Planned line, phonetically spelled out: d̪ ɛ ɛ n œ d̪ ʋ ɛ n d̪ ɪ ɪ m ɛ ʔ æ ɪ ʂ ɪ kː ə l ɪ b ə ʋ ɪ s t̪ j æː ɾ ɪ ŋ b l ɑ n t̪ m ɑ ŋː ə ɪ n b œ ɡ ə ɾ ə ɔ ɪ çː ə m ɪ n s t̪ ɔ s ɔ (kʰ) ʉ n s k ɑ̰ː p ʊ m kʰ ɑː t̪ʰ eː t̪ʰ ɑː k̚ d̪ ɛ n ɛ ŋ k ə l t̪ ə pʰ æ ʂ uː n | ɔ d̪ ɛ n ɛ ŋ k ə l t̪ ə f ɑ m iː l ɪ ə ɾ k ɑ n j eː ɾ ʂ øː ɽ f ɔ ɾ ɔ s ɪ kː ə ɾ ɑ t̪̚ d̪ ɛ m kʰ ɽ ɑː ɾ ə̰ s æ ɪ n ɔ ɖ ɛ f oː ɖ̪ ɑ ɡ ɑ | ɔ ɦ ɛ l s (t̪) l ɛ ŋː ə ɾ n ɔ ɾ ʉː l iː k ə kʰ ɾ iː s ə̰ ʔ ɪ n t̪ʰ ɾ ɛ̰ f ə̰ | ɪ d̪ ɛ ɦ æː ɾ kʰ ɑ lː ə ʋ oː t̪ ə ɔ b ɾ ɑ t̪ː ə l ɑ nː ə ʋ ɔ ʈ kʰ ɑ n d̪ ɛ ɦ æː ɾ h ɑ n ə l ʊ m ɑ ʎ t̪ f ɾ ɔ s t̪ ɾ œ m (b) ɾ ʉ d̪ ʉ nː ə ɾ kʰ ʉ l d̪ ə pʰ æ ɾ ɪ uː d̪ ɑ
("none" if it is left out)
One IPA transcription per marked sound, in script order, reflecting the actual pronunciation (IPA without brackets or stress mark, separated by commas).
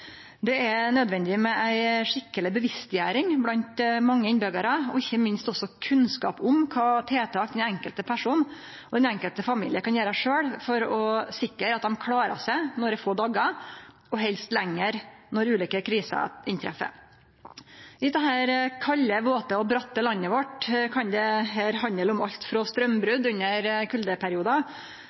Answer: kʰ, t̪, b